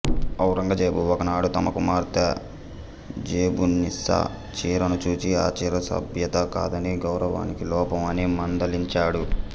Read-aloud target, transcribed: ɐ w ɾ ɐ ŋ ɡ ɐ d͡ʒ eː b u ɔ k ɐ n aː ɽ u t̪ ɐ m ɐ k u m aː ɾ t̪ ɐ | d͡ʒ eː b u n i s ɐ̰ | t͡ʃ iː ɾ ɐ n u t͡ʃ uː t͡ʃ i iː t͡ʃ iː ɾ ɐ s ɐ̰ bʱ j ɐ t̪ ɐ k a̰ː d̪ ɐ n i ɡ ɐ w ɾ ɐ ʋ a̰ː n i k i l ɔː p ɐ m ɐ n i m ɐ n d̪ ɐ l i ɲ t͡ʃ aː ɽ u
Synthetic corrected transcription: ɐ w ɾ ɐ ŋ ɡ ɐ d͡ʒ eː b u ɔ k ɐ n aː ɽ u t̪ ɐ m ɐ k u m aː ɾ t̪ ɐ | d͡ʒ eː b u n i s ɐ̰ | t͡ʃ iː ɾ ɐ n u t͡ʃ uː t͡ʃ i aː t͡ʃ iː ɾ ɐ s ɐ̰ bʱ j ɐ t̪ ɐ k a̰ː d̪ ɐ n i ɡ ɐ w ɾ ɐ ʋ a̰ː n i k i l ɔː p ɐ m ɐ n i m ɐ n d̪ ɐ l i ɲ t͡ʃ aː ɽ u